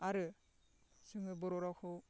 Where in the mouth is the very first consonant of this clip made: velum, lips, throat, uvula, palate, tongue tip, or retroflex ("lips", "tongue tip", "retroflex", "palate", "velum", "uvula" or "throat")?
tongue tip